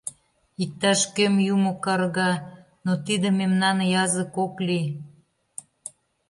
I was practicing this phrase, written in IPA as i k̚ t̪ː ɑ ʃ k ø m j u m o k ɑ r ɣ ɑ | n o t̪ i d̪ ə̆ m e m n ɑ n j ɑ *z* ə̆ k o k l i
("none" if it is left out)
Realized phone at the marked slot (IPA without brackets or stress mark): z